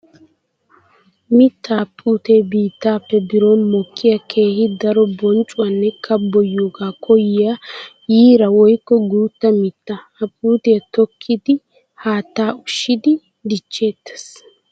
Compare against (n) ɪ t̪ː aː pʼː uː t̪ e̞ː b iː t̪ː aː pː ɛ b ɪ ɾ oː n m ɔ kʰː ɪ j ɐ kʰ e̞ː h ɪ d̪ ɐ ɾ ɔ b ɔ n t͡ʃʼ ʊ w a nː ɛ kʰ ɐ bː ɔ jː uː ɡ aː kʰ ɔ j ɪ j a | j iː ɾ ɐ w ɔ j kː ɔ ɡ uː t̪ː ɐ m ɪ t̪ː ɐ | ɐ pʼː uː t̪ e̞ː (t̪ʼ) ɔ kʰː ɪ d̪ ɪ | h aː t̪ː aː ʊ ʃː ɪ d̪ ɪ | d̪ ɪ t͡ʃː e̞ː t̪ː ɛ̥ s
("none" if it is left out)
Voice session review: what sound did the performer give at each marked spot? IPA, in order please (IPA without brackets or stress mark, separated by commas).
m, t̪